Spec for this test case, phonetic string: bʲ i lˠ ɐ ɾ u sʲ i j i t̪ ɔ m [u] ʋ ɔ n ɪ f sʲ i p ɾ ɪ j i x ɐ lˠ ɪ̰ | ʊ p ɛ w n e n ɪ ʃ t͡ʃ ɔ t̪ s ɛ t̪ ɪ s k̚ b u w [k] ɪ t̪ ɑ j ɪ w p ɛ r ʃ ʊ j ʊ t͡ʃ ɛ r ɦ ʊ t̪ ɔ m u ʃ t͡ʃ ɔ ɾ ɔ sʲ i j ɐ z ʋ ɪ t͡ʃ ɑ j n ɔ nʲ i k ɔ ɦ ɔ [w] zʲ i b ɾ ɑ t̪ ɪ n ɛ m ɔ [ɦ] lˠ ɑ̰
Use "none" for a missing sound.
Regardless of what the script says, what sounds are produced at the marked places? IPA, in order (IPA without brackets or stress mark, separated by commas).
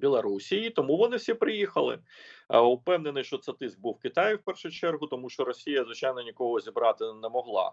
u, k, none, ɦ